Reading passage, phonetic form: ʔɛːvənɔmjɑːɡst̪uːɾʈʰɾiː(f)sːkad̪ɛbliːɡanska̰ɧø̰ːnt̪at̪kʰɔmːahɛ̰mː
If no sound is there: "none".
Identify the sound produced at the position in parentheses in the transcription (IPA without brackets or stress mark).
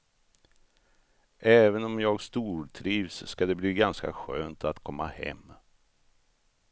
v